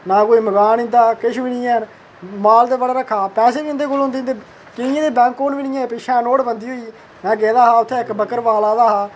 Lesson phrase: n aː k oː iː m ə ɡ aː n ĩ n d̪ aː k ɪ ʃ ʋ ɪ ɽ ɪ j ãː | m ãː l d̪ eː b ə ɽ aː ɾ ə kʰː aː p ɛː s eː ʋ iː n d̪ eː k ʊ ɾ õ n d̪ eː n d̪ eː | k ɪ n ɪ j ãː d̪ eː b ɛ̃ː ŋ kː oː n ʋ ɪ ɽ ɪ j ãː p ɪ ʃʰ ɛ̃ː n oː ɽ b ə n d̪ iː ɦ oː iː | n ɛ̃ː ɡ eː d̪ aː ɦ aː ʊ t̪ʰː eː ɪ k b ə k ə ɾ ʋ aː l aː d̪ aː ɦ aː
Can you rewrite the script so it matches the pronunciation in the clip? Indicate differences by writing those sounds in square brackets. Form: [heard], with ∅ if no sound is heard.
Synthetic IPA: n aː k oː iː m ə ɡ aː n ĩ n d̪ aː k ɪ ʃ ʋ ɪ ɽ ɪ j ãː | m [aː] l d̪ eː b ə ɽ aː ɾ ə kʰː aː p ɛː s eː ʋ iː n d̪ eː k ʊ [l] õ n d̪ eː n d̪ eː | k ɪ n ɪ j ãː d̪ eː b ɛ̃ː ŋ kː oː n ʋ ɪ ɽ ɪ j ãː p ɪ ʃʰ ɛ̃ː n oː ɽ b ə n d̪ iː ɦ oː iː | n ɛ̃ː ɡ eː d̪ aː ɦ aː ʊ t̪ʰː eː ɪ k b ə k ə ɾ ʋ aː l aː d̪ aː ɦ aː

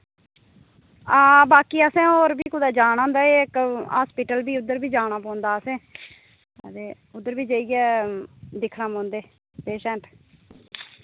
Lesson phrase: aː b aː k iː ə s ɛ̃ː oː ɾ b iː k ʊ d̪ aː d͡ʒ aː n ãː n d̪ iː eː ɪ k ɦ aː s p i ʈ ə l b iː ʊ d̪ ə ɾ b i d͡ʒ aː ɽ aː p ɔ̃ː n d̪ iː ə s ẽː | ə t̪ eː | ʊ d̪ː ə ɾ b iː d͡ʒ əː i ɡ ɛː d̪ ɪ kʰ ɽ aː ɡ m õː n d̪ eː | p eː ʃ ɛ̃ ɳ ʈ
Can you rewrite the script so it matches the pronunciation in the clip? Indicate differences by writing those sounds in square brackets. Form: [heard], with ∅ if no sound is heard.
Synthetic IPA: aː b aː k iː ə s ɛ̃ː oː ɾ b iː k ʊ d̪ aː d͡ʒ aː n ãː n d̪ [aː] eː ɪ k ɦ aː s p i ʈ ə l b iː ʊ d̪ ə ɾ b [iː] d͡ʒ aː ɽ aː p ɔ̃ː n d̪ [aː] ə s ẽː | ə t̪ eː | ʊ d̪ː ə ɾ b iː d͡ʒ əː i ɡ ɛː d̪ ɪ kʰ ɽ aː [∅] m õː n d̪ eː | p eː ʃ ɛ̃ ɳ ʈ

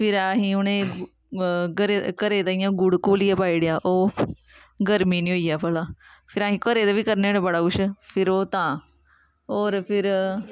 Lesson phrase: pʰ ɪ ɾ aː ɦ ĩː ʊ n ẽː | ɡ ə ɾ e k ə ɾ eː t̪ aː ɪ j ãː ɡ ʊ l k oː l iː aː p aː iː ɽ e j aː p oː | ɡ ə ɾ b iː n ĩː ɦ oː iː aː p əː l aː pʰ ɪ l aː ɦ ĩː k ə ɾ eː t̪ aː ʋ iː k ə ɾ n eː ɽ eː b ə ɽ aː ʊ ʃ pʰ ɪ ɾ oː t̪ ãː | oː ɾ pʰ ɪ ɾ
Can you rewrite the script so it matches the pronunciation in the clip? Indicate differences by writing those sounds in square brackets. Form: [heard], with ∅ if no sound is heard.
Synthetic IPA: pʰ ɪ ɾ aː ɦ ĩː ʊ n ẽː | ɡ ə ɾ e k ə ɾ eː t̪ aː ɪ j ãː ɡ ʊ [ɽ] k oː l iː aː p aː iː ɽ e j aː [ʔ] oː | ɡ ə ɾ [m] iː n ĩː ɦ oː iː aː p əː l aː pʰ ɪ [ɾ] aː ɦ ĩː k ə ɾ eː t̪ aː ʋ iː k ə ɾ n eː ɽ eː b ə ɽ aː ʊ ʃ pʰ ɪ ɾ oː t̪ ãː | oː ɾ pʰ ɪ ɾ

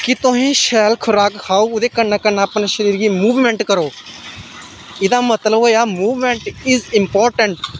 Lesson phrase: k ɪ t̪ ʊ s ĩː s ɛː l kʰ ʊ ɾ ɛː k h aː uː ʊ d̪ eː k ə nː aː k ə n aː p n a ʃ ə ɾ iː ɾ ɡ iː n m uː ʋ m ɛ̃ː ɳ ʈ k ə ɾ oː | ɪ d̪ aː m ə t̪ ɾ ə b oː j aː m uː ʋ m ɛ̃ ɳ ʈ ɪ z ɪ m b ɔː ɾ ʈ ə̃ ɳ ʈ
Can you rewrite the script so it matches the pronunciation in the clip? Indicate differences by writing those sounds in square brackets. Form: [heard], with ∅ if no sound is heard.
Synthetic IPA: k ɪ t̪ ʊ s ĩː [ʃ] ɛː l kʰ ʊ ɾ [aː] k h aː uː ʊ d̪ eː k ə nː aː k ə n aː p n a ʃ ə ɾ iː ɾ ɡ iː [∅] m uː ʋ m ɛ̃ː ɳ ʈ k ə ɾ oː | ɪ d̪ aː m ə t̪ [l] ə b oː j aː m uː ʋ m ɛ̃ ɳ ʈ ɪ z ɪ m [p] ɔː ɾ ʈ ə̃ ɳ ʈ

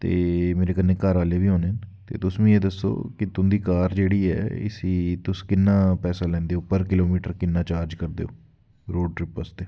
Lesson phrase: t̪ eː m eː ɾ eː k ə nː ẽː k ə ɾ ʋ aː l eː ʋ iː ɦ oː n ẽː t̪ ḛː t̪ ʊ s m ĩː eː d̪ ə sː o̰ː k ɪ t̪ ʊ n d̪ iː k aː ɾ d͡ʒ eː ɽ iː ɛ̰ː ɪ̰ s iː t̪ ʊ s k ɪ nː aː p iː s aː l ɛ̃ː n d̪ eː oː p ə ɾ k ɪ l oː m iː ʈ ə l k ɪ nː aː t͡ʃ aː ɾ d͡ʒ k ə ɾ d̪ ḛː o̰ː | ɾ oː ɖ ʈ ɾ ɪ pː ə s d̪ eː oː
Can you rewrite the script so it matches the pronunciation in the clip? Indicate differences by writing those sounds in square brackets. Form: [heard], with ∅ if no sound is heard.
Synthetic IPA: t̪ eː m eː ɾ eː k ə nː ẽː k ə ɾ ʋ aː l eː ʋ iː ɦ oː n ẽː t̪ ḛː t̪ ʊ s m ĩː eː d̪ ə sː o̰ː k ɪ t̪ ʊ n d̪ iː k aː ɾ d͡ʒ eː ɽ iː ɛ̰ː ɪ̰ s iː t̪ ʊ s k ɪ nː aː p [ɛː] s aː l ɛ̃ː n d̪ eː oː p ə ɾ k ɪ l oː m iː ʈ ə [ɾ] k ɪ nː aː t͡ʃ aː ɾ d͡ʒ k ə ɾ d̪ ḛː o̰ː | ɾ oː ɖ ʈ ɾ ɪ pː ə s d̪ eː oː

